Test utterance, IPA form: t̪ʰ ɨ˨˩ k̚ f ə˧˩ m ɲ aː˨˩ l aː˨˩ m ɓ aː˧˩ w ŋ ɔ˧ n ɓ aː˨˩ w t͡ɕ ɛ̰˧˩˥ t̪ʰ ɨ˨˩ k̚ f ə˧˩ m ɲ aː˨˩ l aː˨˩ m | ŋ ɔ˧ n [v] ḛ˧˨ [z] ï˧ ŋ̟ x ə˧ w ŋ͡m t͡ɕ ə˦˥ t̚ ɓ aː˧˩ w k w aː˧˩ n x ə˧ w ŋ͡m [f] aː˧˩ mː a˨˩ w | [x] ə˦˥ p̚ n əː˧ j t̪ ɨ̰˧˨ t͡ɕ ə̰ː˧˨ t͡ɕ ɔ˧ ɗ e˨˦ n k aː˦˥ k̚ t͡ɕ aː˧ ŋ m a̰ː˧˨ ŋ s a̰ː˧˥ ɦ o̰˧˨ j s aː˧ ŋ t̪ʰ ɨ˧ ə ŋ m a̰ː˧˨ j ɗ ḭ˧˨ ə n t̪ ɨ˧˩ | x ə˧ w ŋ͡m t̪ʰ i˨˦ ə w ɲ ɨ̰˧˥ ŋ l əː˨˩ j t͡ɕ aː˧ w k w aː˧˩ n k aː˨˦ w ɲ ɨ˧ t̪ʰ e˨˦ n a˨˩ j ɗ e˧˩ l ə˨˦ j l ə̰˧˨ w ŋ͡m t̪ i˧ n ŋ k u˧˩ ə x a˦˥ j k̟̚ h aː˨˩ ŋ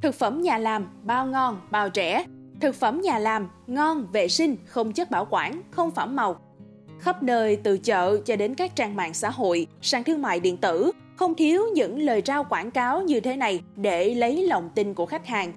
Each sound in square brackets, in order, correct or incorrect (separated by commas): correct, incorrect, correct, correct